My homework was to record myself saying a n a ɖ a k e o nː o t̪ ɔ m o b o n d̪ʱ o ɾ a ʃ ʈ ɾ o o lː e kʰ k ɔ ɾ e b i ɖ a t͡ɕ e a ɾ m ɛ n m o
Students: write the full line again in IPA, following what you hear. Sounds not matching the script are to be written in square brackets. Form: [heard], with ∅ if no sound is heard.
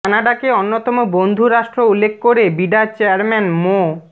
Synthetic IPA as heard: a n a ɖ a k e o nː o t̪ ɔ m o b o n d̪ʱ [u] ɾ a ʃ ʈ ɾ o [u] lː e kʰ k [o] ɾ e b i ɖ a t͡ɕ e a ɾ m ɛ n m o